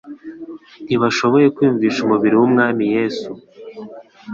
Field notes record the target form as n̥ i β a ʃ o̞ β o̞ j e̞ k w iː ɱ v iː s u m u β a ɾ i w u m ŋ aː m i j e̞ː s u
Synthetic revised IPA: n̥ i β a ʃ o̞ β o̞ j e̞ k w iː ɱ v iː ʃ u m u β i ɾ i w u m ŋ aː m i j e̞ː s u